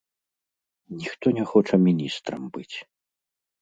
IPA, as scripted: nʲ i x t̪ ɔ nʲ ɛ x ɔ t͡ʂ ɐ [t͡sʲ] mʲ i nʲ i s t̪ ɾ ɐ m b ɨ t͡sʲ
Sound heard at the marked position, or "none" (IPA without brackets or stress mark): none